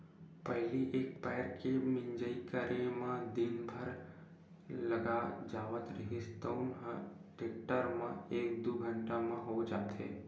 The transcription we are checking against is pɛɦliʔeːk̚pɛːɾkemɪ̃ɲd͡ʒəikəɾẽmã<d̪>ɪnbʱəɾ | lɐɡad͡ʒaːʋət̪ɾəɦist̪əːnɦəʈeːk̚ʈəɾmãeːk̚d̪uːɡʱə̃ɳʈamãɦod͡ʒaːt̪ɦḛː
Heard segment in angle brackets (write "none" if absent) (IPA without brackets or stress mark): d̪